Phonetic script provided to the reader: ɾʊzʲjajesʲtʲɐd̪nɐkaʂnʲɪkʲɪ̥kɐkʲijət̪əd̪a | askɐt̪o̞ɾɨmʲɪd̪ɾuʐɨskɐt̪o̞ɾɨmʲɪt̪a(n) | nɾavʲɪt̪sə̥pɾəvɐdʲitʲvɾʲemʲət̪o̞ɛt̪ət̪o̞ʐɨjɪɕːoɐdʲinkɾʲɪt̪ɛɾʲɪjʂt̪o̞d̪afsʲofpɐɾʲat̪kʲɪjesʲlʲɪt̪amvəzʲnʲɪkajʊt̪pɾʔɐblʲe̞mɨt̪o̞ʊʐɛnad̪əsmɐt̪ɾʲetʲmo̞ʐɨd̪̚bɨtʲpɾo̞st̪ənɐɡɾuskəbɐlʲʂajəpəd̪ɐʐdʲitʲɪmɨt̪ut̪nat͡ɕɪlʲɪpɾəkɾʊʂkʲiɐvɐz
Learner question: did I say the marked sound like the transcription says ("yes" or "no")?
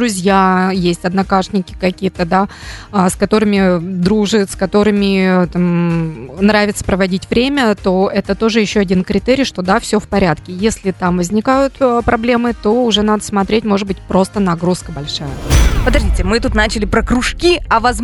no